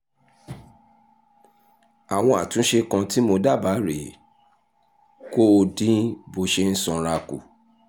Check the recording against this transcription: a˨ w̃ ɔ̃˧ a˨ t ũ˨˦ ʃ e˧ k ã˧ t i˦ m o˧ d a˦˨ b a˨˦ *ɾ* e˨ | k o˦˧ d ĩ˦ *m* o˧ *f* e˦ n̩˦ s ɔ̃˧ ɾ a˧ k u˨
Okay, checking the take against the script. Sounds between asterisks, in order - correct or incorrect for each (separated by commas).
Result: correct, incorrect, incorrect